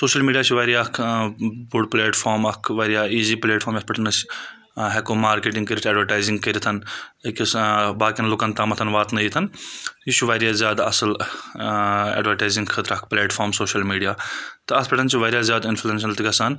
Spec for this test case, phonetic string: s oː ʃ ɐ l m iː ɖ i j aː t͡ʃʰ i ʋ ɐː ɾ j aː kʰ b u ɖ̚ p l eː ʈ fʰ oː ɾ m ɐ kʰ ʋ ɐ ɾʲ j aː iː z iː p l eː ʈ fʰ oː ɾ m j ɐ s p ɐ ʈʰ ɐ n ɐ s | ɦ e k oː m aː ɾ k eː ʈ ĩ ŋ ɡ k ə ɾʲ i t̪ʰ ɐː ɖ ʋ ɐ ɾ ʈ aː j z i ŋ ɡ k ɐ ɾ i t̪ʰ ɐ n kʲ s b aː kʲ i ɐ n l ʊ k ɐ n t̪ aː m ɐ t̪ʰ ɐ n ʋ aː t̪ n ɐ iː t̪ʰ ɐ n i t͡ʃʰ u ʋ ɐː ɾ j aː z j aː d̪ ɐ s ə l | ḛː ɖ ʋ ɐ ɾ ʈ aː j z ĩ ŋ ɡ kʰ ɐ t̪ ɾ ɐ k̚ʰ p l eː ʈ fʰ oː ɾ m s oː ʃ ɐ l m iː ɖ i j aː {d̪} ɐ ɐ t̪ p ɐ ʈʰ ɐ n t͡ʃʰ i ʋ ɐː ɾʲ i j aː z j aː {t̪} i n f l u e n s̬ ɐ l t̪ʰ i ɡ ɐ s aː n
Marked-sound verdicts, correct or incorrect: incorrect: t̪, incorrect: d̪

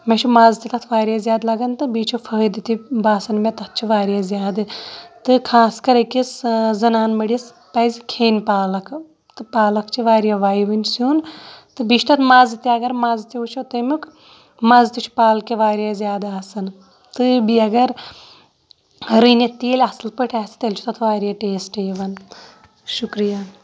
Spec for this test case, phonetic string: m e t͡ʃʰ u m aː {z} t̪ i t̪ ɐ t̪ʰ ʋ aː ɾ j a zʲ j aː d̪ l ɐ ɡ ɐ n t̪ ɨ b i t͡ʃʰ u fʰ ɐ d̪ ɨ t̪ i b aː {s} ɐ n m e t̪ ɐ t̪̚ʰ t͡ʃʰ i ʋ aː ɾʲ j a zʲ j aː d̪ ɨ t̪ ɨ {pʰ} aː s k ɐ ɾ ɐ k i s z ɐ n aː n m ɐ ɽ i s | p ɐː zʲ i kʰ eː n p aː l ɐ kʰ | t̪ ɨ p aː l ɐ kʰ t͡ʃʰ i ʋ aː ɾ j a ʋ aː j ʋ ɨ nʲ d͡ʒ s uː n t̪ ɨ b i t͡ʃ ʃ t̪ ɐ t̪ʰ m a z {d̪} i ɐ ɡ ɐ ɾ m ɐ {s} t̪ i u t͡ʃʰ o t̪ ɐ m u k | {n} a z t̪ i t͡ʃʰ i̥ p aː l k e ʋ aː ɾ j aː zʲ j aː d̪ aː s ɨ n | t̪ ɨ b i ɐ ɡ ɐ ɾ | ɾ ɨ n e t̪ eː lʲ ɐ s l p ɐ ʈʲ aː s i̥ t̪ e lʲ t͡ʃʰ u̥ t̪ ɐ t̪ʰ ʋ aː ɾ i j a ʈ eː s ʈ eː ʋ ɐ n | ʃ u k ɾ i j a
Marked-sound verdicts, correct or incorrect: correct, correct, incorrect: kʰ, incorrect: t̪, incorrect: z, incorrect: m

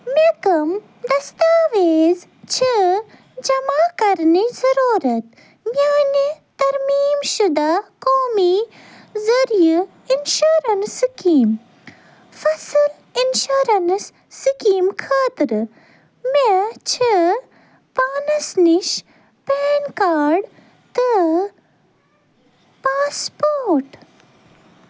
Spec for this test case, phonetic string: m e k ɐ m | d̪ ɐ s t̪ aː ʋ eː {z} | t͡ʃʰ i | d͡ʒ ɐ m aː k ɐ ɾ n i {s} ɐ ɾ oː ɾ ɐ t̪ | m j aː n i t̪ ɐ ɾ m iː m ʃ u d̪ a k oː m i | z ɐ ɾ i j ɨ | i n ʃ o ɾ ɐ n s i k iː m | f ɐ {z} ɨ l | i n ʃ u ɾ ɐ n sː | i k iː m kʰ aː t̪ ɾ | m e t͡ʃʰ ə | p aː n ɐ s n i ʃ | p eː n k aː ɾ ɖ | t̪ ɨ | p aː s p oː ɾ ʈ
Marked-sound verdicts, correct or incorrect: correct, incorrect: z, incorrect: s

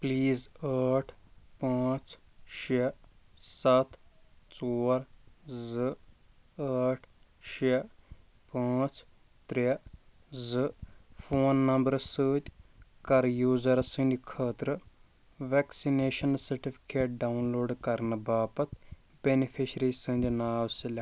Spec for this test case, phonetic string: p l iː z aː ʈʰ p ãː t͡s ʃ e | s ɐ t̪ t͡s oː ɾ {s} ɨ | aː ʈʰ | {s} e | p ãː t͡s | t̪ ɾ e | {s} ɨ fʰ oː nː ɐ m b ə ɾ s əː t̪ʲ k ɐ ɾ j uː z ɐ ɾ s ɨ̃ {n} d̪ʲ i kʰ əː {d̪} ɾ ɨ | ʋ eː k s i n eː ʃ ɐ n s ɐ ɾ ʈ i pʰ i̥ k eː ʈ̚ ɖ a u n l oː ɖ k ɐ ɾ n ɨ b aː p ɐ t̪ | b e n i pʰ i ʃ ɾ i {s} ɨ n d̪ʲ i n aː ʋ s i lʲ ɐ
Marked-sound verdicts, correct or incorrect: incorrect: z, incorrect: ʃ, incorrect: z, correct, incorrect: t̪, correct

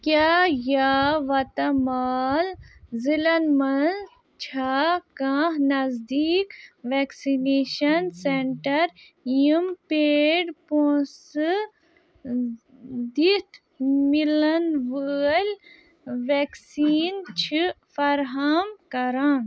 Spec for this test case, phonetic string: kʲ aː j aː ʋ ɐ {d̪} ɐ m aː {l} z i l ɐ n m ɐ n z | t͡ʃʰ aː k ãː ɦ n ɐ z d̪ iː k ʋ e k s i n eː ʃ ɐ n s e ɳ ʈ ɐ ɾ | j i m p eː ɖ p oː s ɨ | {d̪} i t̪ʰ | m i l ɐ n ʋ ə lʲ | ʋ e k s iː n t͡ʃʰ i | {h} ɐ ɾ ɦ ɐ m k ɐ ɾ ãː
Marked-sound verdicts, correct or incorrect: incorrect: t̪, correct, correct, incorrect: f

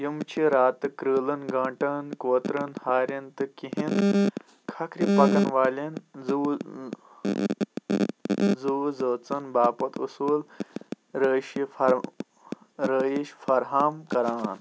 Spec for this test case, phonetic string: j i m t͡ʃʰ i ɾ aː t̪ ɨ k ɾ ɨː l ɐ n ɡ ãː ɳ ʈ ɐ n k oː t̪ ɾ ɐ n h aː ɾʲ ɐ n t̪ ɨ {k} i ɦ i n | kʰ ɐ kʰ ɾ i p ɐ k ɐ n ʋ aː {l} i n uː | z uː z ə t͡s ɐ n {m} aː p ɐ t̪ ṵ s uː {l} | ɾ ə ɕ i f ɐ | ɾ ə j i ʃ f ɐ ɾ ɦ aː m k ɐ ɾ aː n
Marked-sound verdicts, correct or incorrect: correct, correct, incorrect: b, correct

